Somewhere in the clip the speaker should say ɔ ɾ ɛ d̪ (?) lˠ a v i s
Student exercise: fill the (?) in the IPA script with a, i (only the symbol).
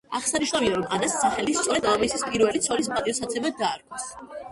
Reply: a